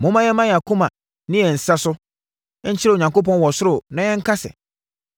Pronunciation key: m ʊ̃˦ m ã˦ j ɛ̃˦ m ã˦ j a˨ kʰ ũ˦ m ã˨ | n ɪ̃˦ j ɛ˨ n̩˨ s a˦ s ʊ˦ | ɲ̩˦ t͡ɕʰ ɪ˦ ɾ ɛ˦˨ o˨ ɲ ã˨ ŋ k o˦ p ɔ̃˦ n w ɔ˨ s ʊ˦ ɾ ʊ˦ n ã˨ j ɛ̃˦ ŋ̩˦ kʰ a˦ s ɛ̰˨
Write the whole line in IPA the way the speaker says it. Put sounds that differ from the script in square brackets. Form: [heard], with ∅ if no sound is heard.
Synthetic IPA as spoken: m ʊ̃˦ m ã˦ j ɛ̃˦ m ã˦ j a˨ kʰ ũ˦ m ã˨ | n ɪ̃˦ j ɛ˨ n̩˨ s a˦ s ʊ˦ | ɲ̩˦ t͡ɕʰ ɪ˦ ɾ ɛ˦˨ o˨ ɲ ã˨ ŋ k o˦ p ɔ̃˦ n w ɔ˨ s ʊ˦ ɾ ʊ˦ n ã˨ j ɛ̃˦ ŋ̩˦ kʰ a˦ s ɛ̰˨